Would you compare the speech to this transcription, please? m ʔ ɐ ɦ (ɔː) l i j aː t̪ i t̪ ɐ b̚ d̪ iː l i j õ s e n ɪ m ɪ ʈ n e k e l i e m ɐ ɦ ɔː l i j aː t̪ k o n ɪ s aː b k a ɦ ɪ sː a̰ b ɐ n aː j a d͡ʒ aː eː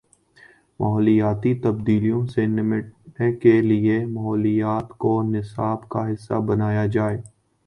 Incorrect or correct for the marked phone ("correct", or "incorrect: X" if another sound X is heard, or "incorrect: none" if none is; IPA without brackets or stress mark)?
correct